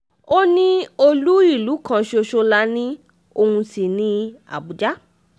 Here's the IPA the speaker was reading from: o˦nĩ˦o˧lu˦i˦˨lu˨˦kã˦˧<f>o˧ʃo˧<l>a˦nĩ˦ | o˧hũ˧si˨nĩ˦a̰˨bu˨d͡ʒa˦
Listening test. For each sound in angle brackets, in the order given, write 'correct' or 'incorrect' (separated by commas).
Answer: incorrect, correct